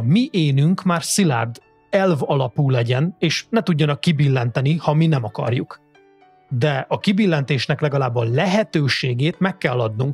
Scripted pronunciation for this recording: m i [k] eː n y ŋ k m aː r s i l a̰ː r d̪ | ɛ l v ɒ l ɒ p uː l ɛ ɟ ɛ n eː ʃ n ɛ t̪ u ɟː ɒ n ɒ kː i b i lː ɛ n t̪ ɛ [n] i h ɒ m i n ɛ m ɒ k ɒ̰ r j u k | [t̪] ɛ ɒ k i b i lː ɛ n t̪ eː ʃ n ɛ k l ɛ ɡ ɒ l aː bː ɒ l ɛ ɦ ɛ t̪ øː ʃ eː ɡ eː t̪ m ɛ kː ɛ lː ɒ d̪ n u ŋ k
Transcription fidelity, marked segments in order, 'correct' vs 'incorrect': incorrect: ʔ, correct, incorrect: d̪

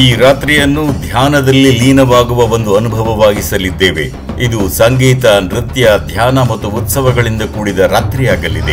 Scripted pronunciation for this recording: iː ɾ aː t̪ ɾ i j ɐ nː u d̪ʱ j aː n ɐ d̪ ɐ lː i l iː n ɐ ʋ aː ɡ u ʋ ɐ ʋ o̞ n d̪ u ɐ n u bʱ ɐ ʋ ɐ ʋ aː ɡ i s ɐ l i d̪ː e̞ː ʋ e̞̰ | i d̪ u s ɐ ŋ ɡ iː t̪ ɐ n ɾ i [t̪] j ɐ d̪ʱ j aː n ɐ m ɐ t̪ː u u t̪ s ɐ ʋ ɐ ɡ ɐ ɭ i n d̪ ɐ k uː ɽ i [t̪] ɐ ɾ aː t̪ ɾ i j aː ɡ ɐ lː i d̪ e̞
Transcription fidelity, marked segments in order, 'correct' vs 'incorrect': correct, incorrect: d̪

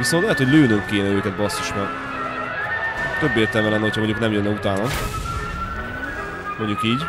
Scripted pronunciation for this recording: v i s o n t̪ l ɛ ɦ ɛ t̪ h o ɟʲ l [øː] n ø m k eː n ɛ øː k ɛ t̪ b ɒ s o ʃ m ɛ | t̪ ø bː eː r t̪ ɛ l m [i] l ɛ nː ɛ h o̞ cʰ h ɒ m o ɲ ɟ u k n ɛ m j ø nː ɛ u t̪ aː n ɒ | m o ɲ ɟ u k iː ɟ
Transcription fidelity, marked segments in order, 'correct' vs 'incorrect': correct, incorrect: ɛ

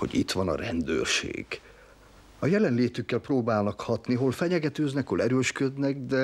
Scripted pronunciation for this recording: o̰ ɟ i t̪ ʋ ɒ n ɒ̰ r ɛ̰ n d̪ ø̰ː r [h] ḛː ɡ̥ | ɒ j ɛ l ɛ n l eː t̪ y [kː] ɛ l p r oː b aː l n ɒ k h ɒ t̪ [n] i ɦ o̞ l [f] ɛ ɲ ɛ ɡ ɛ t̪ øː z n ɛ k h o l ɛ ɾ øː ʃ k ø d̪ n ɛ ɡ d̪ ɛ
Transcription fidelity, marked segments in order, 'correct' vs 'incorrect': incorrect: ʃ, correct, correct, correct

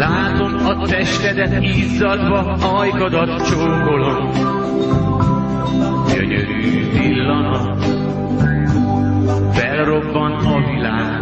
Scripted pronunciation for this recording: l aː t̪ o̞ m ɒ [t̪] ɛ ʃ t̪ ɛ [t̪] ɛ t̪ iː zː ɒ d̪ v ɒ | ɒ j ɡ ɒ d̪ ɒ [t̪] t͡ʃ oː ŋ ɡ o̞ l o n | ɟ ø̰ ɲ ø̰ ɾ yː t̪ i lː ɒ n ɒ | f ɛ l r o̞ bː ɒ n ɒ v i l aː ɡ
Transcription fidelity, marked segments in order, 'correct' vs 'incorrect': correct, incorrect: d̪, correct

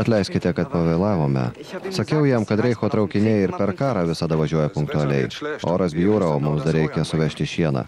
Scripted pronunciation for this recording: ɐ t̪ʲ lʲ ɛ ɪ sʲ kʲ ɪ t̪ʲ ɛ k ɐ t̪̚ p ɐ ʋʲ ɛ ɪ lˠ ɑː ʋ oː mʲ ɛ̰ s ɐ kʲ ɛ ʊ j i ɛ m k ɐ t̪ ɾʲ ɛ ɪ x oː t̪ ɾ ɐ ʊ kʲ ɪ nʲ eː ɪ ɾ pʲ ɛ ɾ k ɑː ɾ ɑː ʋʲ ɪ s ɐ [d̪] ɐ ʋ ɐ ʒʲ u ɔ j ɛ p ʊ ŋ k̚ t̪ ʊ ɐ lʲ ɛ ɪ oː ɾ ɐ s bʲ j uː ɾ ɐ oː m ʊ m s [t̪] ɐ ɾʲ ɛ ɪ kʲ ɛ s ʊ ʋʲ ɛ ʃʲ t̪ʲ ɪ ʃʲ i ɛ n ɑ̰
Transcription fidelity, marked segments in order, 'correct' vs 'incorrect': correct, incorrect: d̪

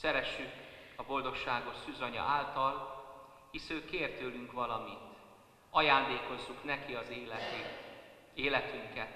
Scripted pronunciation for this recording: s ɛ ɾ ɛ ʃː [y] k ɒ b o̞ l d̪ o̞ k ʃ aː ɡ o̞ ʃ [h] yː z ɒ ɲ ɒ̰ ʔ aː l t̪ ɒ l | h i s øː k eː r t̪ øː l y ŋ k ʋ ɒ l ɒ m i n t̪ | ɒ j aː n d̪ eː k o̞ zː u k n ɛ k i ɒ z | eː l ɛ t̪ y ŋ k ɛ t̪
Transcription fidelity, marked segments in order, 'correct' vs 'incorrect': correct, incorrect: s

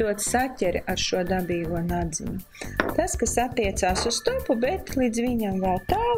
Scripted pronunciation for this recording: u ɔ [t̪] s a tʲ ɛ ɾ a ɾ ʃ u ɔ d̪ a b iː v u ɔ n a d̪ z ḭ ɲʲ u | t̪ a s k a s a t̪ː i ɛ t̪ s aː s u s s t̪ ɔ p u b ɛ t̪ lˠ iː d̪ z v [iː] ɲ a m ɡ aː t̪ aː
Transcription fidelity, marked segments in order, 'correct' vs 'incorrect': correct, incorrect: i

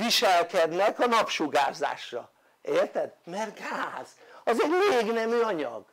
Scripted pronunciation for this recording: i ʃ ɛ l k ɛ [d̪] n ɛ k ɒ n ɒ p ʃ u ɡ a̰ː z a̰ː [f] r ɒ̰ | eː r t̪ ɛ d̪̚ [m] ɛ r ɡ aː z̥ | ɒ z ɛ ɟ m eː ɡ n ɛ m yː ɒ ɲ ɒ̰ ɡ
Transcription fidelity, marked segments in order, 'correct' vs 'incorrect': correct, incorrect: ʃ, correct

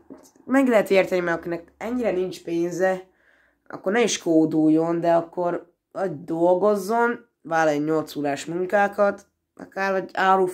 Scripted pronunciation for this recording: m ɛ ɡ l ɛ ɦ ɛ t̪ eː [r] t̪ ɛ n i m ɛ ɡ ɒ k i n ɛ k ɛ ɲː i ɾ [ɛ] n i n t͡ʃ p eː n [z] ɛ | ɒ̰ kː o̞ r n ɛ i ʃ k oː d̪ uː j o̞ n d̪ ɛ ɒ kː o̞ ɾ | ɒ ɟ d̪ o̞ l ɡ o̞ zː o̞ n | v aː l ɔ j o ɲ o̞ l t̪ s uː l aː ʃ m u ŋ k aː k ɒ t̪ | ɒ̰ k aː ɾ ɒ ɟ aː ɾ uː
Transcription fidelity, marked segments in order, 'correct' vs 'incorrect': correct, correct, correct

